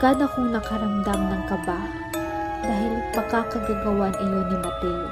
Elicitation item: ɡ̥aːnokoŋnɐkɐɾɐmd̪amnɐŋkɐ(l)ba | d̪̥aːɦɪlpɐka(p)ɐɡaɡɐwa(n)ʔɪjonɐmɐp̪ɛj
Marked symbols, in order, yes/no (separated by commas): no, no, yes